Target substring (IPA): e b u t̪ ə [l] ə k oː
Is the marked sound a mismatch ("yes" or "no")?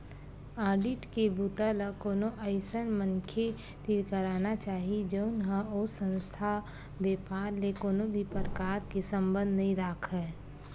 no